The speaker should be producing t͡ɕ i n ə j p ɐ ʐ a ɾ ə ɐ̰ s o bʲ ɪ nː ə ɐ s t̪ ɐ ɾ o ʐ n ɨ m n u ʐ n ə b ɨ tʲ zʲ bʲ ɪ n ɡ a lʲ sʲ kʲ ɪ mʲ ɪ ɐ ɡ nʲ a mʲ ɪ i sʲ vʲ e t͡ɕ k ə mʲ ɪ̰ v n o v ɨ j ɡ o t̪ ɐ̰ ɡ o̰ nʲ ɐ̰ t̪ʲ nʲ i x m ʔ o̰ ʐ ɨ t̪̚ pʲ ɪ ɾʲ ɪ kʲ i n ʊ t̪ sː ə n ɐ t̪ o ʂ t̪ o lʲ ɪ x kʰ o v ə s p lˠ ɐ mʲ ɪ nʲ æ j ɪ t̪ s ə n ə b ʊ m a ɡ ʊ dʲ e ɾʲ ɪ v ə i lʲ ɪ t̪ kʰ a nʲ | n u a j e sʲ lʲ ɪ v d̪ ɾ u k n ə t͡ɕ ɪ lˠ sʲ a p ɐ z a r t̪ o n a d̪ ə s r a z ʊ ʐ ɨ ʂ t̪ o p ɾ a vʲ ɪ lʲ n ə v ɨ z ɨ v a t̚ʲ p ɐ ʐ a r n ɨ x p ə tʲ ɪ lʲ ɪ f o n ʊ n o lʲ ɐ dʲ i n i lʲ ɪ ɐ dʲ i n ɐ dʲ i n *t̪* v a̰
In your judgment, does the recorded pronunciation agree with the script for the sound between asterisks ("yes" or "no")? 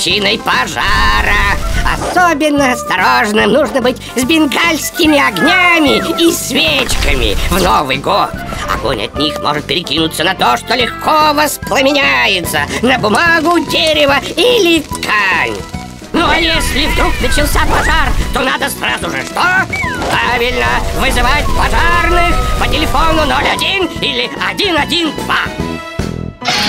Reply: no